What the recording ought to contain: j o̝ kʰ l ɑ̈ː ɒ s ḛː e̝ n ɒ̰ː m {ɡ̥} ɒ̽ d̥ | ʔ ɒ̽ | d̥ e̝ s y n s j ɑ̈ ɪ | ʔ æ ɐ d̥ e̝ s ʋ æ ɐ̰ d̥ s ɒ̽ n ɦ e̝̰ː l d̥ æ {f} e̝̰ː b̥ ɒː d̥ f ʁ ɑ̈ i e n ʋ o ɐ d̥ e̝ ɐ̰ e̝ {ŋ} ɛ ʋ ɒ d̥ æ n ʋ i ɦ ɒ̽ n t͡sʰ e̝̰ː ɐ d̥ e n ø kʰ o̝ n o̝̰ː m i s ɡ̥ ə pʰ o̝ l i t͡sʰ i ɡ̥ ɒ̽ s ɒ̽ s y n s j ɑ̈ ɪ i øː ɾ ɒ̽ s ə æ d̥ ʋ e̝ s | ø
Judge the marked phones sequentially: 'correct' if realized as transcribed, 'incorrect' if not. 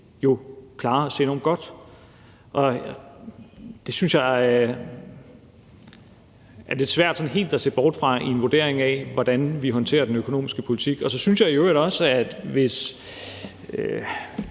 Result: correct, incorrect, correct

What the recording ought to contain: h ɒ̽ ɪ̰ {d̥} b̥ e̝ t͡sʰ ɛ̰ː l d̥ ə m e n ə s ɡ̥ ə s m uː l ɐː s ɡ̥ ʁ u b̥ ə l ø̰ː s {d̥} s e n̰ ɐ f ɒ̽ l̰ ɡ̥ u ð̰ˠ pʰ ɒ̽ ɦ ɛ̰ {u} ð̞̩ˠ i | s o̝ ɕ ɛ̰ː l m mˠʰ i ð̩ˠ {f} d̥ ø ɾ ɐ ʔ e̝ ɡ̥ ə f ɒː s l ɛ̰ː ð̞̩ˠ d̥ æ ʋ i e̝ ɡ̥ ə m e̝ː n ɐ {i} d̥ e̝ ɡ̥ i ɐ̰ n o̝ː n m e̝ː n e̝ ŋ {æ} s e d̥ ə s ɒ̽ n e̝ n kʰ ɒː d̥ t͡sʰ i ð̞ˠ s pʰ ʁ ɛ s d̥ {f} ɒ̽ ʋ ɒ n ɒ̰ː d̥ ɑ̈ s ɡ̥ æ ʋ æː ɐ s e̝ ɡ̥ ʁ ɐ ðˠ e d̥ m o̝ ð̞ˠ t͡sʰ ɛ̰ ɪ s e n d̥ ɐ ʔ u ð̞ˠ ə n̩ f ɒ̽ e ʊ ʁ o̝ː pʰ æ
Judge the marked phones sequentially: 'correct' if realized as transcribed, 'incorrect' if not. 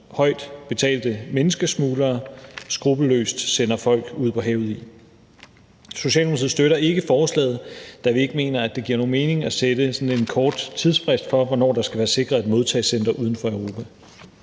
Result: correct, correct, incorrect, incorrect, incorrect, correct, correct

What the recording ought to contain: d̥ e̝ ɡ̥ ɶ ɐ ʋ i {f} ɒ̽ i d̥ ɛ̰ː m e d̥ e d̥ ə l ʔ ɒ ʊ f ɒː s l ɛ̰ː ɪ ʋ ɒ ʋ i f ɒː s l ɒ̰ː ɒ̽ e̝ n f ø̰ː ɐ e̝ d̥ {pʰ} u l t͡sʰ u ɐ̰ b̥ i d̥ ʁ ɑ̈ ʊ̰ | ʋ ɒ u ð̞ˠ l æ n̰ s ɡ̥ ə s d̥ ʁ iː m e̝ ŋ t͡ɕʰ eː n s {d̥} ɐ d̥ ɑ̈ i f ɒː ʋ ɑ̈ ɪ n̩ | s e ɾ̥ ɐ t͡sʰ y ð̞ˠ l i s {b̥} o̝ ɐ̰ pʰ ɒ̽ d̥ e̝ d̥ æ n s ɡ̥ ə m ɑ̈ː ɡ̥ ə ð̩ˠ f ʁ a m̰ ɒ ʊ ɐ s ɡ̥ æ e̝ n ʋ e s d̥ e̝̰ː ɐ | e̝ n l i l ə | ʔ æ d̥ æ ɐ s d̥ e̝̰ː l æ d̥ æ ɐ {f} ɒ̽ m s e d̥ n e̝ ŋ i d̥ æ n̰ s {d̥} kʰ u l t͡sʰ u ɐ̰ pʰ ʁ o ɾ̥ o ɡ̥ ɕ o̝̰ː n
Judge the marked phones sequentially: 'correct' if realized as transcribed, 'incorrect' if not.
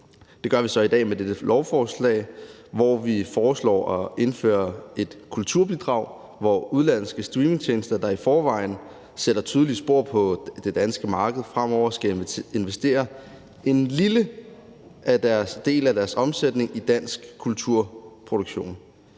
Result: incorrect, incorrect, correct, correct, incorrect, incorrect

